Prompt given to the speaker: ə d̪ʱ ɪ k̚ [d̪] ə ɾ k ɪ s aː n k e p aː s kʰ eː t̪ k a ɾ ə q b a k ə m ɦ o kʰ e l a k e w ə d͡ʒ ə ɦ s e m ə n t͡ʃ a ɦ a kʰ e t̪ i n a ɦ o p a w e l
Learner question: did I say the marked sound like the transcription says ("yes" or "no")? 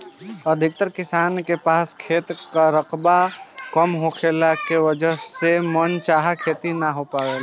no